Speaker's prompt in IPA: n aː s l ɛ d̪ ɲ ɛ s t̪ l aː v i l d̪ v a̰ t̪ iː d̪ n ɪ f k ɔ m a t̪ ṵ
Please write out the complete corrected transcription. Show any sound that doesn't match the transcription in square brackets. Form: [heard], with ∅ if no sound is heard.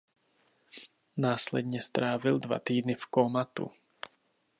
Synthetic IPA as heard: n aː s l ɛ d̪ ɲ ɛ s t̪ [ɾ] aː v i l d̪ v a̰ t̪ iː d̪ n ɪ f k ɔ m a t̪ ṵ